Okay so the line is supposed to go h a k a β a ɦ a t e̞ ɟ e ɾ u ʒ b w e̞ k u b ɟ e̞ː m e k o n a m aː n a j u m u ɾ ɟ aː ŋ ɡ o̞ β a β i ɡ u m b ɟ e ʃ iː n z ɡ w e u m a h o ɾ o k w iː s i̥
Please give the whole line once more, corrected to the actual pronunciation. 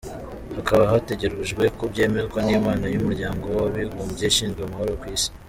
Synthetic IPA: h a k a β a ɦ a t e̞ ɟ e ɾ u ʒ ɡ w e̞ k u b ɟ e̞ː m e k o n i m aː n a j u m u ɾ ɟ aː ŋ ɡ o̞ w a β i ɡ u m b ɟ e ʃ iː n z ɡ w e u m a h o ɾ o k w iː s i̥